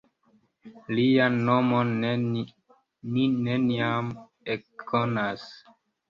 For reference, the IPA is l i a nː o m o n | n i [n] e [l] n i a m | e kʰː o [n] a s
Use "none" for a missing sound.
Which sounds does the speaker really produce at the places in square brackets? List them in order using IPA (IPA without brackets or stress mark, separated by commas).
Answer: n, none, n